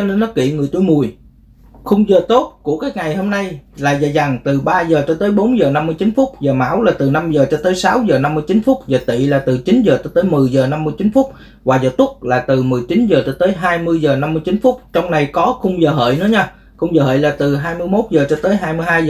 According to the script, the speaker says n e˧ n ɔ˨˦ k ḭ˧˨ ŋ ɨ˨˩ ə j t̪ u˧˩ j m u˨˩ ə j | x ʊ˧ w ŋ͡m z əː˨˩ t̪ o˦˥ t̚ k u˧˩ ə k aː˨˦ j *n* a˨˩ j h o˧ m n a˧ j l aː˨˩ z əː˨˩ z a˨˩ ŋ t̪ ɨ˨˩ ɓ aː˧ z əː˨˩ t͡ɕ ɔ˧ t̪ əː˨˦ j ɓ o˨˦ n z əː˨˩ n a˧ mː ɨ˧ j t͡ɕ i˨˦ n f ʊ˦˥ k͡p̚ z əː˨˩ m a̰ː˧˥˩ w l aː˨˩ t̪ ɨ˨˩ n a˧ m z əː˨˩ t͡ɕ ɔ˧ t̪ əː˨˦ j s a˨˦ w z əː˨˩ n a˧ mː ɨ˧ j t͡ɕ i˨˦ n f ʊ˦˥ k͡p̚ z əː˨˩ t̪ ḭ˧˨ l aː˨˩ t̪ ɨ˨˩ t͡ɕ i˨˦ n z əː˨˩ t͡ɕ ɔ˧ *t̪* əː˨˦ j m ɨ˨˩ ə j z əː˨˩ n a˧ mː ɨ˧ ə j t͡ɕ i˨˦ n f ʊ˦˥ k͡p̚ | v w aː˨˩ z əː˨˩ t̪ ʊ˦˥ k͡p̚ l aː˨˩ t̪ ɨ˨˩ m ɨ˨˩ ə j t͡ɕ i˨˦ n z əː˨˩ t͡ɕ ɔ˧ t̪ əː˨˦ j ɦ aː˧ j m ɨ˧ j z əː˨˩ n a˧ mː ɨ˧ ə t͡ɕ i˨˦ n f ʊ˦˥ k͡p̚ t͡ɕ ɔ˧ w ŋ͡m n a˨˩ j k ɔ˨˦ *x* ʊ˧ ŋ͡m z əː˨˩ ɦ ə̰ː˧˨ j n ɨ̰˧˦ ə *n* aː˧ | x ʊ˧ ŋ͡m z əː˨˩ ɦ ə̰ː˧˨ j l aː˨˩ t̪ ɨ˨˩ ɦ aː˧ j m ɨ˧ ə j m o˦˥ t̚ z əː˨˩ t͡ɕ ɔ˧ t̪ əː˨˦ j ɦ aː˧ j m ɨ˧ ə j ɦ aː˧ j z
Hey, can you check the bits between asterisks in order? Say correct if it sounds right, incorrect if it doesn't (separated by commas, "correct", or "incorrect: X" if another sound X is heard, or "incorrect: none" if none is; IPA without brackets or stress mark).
incorrect: ŋ, correct, correct, incorrect: ɲ